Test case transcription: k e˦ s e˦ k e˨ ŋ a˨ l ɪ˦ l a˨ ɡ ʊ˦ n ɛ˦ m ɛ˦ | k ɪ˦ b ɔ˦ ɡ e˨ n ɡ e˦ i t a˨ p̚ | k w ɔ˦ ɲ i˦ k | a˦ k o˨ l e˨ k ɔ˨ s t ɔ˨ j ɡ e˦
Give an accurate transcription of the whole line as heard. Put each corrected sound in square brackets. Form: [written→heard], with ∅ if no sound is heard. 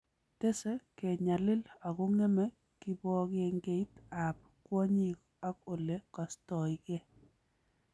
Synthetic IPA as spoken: [k→t] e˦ s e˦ k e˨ [ŋ→ɲ] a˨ l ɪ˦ l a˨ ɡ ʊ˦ [n→ŋ] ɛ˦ m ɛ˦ | k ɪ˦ b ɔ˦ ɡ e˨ [n→ŋ] ɡ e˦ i t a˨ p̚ | k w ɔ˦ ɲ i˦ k | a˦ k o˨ l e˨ k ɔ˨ s t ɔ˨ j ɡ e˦